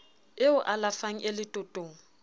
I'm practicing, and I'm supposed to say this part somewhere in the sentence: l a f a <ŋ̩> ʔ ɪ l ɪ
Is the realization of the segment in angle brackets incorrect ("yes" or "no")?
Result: no